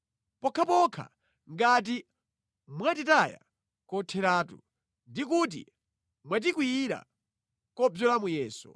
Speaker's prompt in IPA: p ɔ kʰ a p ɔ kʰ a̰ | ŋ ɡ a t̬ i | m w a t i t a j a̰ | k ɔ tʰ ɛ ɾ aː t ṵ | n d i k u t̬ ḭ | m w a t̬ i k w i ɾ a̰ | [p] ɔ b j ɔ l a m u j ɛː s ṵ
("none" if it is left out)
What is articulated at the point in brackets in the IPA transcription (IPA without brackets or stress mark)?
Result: k